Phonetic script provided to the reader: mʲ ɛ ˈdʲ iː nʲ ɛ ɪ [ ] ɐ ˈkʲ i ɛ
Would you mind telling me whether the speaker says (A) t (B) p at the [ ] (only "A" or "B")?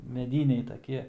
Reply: A